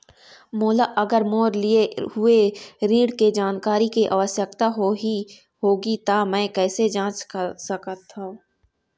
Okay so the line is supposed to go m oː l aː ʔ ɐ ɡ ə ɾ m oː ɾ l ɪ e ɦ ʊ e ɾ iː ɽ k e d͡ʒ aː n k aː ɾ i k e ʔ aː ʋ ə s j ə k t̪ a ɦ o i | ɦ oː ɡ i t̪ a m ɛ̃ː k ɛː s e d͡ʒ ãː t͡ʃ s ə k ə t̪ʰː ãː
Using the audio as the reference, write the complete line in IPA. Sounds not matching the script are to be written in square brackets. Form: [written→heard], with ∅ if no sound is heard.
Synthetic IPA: m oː l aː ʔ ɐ ɡ ə ɾ m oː ɾ l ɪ e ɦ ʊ e ɾ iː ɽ k e d͡ʒ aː n k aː ɾ i k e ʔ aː ʋ ə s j ə k t̪ a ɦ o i | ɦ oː ɡ i t̪ a m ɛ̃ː k ɛː s e d͡ʒ ãː t͡ʃ s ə k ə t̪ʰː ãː